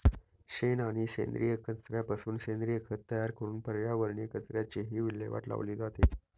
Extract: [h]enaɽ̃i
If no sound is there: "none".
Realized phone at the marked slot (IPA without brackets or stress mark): ɕ